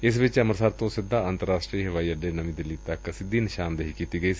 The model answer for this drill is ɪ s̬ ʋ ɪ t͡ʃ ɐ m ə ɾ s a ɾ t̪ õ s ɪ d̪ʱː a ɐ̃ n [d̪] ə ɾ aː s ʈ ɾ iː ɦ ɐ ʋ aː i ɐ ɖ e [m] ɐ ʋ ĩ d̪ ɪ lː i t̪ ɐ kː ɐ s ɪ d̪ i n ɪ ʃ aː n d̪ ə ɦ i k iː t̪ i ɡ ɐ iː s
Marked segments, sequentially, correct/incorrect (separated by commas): incorrect, incorrect